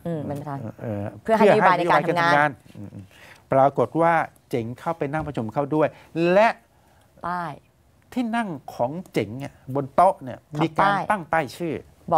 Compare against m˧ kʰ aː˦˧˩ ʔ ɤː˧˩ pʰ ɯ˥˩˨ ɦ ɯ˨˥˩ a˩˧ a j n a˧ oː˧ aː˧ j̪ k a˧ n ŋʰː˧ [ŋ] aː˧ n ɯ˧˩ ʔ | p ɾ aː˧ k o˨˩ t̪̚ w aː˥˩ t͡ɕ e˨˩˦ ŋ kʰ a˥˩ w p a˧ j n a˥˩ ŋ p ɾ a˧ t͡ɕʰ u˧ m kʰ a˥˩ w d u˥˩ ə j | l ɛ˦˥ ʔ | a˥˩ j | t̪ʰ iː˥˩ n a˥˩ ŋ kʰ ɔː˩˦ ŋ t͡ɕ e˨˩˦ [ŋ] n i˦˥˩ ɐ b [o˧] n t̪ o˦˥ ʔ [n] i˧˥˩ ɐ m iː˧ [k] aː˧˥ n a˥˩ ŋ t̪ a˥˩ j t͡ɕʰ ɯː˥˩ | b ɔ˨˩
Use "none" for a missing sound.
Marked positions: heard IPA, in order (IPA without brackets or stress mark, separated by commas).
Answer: ŋ, ŋ, o˧, n, k